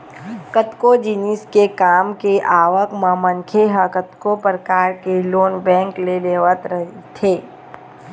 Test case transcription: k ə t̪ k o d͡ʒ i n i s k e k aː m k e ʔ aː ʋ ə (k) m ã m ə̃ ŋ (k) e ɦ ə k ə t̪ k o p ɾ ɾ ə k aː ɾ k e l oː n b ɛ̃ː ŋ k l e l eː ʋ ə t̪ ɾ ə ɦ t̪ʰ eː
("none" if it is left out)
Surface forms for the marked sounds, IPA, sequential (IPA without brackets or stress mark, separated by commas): k, kʰ